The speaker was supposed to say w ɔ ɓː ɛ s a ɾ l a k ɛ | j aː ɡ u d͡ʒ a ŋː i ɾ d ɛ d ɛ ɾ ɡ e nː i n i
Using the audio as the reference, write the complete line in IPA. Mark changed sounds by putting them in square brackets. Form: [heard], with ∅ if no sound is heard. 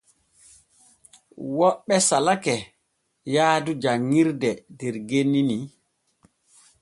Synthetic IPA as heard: w ɔ ɓː ɛ s a [∅] l a k ɛ | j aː [d] u d͡ʒ a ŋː i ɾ d ɛ d ɛ ɾ ɡ e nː i n i